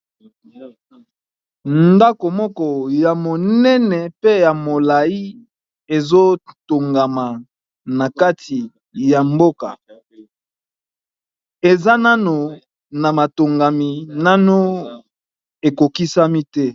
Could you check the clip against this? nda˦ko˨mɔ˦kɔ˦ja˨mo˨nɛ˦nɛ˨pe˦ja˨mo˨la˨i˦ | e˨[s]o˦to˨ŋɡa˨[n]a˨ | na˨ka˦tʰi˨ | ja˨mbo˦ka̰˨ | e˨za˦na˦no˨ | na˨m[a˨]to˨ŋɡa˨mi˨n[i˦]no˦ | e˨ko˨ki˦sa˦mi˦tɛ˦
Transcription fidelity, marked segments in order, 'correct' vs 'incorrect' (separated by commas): incorrect, incorrect, correct, incorrect